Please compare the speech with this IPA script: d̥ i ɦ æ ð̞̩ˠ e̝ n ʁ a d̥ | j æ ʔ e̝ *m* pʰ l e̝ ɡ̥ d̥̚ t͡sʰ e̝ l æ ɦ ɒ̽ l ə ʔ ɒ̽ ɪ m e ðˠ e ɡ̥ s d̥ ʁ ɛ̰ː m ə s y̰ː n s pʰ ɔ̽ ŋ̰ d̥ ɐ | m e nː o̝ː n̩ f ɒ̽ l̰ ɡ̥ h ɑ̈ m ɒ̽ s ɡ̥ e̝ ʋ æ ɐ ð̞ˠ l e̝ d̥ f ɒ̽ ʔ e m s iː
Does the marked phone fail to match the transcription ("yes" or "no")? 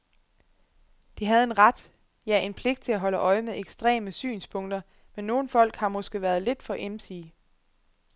yes